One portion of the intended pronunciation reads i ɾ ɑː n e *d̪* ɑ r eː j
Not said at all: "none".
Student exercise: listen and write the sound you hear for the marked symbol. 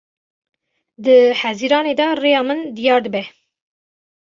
d̪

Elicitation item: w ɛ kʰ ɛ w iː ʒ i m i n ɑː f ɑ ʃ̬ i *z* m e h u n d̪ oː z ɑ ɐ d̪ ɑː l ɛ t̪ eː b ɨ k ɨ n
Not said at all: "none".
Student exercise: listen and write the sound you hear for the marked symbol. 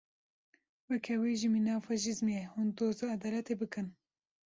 z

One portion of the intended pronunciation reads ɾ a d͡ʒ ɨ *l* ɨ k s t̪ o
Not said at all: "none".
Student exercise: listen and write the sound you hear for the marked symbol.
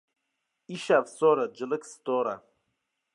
l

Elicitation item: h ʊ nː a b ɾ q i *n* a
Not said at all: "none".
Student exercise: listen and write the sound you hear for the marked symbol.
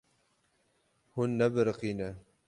n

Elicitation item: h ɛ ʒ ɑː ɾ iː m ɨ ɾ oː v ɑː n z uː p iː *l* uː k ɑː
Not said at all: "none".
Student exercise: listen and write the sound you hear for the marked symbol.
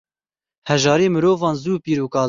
ɾ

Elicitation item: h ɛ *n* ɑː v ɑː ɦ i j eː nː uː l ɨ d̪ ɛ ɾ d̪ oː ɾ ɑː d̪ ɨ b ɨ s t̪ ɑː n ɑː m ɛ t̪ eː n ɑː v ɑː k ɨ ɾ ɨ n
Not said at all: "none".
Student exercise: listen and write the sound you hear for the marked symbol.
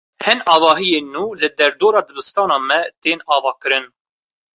n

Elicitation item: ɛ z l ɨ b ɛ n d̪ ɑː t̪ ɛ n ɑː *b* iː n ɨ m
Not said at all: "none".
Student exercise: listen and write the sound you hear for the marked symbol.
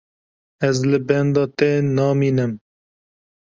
m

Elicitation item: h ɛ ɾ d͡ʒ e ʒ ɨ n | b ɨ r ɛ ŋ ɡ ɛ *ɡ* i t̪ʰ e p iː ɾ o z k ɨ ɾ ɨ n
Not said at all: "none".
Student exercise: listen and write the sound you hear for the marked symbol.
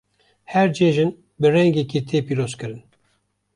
k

